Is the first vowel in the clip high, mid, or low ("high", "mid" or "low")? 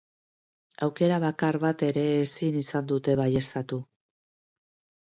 low